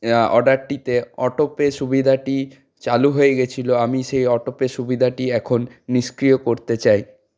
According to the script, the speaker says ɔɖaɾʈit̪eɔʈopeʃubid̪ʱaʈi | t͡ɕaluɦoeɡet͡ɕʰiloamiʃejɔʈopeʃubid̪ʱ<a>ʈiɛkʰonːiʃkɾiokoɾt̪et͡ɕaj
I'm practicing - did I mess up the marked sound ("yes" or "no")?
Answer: no